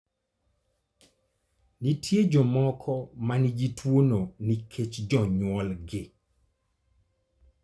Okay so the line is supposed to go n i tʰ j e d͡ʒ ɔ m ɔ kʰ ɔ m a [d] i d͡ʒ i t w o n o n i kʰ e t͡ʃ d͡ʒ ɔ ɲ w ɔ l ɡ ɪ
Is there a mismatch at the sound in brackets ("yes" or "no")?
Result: yes